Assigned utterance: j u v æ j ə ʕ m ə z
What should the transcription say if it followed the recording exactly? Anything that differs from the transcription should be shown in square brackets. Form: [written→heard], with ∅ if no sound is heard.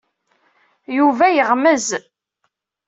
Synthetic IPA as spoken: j u v æ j ə [ʕ→ʁ] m ə z